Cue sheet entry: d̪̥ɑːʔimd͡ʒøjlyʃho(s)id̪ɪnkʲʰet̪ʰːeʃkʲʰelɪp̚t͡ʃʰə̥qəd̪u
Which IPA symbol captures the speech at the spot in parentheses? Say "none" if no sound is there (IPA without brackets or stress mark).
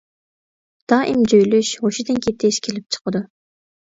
ʃ